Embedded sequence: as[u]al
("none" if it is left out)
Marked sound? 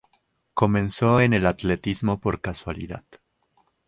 w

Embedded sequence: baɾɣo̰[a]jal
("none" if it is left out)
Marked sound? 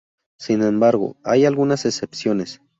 a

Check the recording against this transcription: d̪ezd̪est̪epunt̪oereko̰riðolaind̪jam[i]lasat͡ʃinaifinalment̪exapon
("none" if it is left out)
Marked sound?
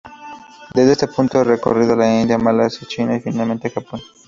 a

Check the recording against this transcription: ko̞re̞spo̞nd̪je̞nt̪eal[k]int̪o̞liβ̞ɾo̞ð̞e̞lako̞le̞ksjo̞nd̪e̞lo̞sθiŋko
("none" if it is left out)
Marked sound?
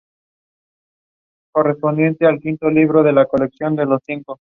k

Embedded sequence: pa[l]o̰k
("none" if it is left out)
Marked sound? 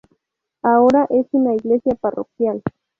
r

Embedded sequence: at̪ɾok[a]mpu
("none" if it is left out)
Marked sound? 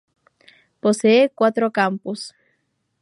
a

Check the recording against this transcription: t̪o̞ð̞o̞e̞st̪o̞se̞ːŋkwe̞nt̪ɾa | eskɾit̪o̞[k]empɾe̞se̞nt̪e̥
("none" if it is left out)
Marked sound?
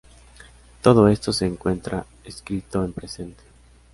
none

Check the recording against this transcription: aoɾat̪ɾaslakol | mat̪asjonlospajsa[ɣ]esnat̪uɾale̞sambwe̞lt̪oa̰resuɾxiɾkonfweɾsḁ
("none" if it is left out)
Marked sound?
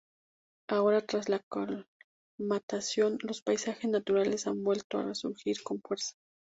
x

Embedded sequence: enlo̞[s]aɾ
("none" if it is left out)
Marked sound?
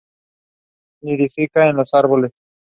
s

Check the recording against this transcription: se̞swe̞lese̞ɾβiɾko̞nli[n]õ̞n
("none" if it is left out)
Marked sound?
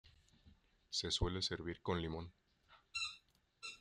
m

